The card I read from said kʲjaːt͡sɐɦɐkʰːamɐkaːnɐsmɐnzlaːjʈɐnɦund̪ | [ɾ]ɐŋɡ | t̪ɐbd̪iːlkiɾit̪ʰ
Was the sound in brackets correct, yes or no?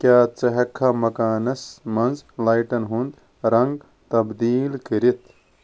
yes